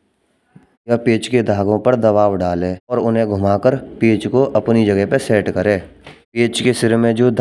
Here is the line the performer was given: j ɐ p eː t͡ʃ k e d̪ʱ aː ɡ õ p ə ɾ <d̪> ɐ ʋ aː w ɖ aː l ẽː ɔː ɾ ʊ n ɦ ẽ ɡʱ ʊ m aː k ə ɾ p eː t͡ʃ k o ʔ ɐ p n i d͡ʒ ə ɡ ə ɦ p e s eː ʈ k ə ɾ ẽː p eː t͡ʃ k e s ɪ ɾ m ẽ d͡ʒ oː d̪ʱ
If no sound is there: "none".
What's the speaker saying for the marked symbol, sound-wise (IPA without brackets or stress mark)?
d̪